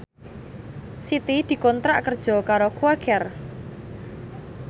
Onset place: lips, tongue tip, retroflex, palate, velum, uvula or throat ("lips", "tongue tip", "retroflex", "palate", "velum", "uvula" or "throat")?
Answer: tongue tip